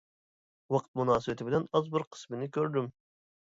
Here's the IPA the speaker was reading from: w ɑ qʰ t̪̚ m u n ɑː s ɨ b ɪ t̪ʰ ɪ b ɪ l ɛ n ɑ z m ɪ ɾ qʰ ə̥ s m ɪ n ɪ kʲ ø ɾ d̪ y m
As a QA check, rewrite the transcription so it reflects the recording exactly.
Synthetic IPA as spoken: w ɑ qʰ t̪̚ m u n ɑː s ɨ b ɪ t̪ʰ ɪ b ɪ l ɛ n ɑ z b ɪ ɾ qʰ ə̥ s m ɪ n ɪ kʲ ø ɾ d̪ y m